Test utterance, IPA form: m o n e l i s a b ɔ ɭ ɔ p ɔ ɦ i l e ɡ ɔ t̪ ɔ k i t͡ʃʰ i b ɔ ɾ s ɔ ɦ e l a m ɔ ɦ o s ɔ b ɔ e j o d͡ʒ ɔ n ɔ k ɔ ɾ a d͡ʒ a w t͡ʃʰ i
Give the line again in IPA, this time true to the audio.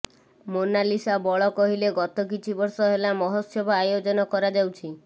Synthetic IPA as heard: m o n a l i s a b ɔ ɭ ɔ k ɔ ɦ i l e ɡ ɔ t̪ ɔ k i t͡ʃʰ i b ɔ ɾ s ɔ ɦ e l a m ɔ ɦ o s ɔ b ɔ a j o d͡ʒ ɔ n ɔ k ɔ ɾ a d͡ʒ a w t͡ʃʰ i

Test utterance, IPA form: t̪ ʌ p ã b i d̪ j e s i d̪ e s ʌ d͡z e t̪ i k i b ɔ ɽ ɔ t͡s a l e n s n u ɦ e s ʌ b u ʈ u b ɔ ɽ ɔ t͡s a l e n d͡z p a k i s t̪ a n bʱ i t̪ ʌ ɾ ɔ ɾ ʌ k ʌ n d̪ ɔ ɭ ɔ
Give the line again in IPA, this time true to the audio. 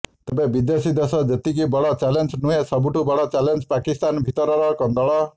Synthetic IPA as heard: t̪ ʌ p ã b i d̪ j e s i d̪ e s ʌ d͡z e t̪ i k i b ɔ ɽ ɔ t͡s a l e n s n u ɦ e s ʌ b u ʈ u b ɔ ɽ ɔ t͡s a l e n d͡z p a k i s t̪ a n bʱ i t̪ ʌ ɾ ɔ ɾ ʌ k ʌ n d̪ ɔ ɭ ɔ

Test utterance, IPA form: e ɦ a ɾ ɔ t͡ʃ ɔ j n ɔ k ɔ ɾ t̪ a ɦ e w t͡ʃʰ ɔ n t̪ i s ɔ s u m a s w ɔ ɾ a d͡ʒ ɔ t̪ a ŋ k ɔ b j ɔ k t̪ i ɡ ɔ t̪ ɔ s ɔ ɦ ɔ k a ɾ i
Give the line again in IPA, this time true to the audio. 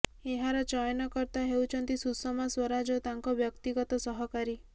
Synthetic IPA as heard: e ɦ a ɾ ɔ t͡ʃ ɔ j n ɔ k ɔ ɾ t̪ a ɦ e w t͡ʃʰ ɔ n t̪ i s u s ɔ m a s w ɔ ɾ a d͡ʒ ɔ t̪ a ŋ k ɔ b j ɔ k t̪ i ɡ ɔ t̪ ɔ s ɔ ɦ ɔ k a ɾ i

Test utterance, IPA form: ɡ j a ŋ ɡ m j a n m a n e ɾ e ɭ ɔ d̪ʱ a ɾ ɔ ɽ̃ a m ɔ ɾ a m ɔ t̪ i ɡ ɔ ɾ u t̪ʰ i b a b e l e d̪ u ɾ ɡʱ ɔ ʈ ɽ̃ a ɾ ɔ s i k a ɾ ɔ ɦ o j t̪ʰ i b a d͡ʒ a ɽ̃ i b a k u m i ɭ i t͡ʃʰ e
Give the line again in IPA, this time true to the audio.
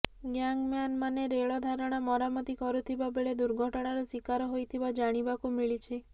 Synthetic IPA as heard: ɡ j a ŋ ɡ m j a n m a n e ɾ e ɭ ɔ d̪ʱ a ɾ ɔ ɽ̃ a m ɔ ɾ a m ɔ t̪ i k ɔ ɾ u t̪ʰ i b a b e ɭ e d̪ u ɾ ɡʱ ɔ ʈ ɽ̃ a ɾ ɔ s i k a ɾ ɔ ɦ o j t̪ʰ i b a d͡ʒ a ɽ̃ i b a k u m i ɭ i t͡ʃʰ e

